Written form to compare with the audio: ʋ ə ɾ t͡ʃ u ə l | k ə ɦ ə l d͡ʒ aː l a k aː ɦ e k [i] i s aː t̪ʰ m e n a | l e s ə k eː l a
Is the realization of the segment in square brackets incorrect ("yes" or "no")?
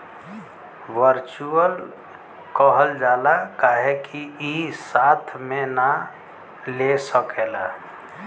no